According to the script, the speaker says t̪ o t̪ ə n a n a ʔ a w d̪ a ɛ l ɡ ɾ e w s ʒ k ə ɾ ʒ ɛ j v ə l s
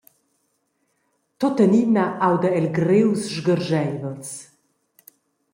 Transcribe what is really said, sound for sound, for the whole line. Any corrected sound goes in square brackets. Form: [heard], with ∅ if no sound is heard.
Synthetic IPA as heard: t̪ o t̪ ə n [i] n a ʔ a w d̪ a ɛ l ɡ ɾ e w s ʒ [ɡ] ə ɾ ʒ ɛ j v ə l s